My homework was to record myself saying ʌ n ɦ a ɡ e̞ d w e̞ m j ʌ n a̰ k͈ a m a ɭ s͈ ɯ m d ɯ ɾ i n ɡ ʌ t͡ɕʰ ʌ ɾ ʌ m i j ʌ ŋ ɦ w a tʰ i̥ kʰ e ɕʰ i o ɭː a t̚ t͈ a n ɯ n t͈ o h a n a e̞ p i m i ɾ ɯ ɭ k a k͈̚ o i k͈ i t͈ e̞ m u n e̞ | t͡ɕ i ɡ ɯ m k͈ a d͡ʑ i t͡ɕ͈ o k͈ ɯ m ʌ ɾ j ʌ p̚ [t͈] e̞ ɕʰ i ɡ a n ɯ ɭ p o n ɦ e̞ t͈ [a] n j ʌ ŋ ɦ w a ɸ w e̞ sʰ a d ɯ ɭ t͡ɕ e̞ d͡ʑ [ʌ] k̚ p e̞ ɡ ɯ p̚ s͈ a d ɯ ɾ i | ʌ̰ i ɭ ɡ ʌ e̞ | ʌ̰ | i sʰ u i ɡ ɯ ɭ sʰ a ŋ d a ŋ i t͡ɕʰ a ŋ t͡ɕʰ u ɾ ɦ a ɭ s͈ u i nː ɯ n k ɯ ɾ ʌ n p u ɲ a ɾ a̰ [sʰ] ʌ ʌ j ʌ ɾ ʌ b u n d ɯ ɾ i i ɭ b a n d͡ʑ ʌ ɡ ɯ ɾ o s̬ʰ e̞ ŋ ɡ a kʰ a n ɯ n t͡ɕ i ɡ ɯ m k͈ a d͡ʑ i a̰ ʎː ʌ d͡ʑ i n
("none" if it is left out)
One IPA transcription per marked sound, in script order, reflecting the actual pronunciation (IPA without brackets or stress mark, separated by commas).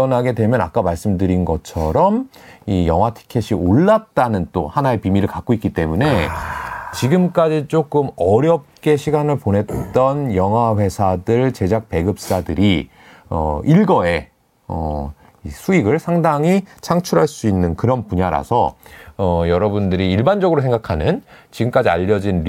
k͈, ʌ, a, sʰ